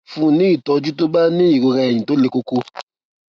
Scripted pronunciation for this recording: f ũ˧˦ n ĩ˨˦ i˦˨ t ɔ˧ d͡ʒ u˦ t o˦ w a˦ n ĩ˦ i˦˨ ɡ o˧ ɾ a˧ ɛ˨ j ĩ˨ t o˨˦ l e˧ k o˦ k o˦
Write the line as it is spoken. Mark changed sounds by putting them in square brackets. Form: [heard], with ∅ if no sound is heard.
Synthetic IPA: f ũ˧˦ n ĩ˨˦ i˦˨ t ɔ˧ d͡ʒ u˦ t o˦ [b] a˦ n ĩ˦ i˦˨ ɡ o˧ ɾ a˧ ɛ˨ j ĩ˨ t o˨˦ l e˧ k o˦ k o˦